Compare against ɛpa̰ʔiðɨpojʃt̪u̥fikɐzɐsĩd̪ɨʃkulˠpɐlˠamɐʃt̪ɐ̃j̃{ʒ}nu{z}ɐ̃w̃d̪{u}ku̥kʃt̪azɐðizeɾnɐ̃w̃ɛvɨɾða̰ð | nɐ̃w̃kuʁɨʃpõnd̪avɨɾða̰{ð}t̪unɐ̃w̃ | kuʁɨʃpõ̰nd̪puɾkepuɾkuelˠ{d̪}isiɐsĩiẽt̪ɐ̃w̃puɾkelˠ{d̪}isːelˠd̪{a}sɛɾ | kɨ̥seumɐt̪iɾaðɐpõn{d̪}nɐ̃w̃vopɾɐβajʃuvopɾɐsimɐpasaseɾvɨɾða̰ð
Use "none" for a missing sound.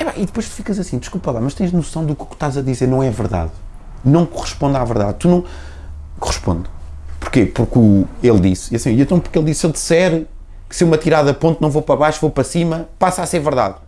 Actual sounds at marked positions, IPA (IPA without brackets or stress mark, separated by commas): ʒ, s, u, ð, d̪, d̪, i, t̪